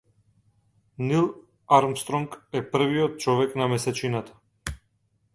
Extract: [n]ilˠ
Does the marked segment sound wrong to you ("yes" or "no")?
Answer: no